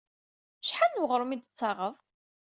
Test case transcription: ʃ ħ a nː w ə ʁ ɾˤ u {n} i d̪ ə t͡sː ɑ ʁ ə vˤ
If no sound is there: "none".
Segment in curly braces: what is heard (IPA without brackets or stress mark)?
m